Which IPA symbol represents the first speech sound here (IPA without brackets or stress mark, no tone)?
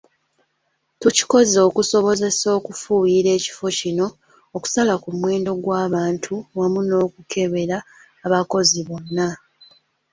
t